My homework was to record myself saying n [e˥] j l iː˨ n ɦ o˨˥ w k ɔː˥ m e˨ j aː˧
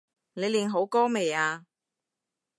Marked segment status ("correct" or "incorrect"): incorrect